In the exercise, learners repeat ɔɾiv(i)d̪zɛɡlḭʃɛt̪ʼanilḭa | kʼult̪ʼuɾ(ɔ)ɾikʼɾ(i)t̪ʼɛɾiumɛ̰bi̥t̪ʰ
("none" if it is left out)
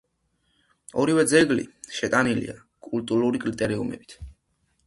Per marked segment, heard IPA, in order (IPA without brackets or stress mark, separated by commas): ɛ, u, i